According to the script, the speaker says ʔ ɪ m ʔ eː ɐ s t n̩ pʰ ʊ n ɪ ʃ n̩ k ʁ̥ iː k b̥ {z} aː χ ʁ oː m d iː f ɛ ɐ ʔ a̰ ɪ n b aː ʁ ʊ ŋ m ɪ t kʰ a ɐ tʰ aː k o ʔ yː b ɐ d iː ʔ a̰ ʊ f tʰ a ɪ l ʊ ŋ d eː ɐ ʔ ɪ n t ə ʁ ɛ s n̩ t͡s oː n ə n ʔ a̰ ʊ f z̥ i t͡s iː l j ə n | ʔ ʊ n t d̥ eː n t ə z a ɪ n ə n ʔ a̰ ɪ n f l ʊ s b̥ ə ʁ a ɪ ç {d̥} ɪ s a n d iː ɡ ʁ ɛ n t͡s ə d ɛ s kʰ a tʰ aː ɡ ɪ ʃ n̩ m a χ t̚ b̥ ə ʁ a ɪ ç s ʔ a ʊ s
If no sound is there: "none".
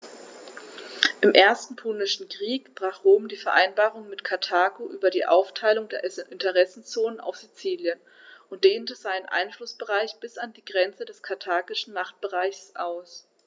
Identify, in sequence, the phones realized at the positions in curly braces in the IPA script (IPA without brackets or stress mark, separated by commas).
ʁ, b̥